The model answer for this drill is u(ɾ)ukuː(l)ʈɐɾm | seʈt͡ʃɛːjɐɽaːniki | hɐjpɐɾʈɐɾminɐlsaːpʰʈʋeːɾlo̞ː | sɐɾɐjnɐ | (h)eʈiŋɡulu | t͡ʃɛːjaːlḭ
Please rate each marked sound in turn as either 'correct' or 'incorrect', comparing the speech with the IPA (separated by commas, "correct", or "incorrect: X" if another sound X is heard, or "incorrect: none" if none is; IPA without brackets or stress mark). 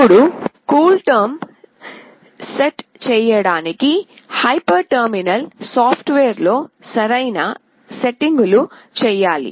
incorrect: ɽ, correct, incorrect: s